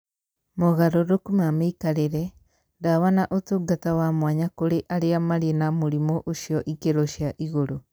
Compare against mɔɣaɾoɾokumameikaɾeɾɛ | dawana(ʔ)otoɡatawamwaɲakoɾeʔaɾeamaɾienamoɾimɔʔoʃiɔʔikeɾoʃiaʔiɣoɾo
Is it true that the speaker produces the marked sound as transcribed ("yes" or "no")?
yes